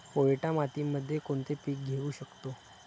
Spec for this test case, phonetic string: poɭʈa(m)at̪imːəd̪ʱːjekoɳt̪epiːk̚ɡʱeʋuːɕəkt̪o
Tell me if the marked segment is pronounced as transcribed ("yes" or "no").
yes